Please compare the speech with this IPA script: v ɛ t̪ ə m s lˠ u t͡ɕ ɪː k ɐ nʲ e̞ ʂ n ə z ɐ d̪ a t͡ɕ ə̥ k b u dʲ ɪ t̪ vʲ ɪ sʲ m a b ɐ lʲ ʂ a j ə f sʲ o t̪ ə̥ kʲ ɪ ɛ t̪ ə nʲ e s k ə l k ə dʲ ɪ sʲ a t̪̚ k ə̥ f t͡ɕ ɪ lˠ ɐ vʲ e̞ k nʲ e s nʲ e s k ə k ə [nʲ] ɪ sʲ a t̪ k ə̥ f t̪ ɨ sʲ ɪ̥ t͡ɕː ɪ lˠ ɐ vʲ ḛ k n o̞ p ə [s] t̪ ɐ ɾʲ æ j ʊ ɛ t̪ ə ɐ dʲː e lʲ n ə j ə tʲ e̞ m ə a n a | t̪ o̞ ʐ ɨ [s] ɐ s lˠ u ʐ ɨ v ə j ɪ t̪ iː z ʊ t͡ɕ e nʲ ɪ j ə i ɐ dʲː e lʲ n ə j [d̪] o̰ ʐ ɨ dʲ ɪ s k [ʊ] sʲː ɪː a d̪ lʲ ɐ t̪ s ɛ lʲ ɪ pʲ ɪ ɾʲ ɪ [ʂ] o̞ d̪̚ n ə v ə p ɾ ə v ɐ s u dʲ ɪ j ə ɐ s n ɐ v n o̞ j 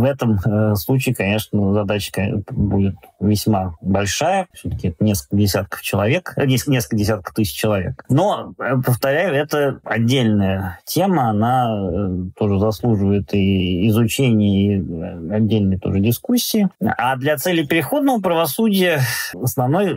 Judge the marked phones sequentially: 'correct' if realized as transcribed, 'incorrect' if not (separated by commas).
incorrect, incorrect, incorrect, incorrect, incorrect, incorrect